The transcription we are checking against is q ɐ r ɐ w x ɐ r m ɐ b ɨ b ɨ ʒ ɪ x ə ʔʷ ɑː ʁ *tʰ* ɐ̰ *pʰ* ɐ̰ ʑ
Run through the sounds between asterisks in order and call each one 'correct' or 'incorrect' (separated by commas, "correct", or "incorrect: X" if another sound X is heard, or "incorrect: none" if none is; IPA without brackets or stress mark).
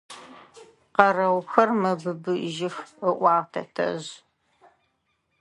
correct, incorrect: tʰ